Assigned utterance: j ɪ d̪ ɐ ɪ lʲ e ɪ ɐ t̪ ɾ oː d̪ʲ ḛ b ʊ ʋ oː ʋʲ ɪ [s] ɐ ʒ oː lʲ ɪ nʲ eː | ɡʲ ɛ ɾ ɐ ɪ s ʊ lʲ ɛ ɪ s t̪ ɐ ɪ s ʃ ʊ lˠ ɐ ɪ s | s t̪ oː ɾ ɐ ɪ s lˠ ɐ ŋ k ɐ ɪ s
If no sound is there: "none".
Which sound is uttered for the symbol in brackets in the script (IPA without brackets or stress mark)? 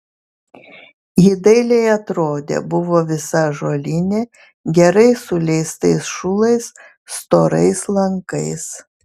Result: s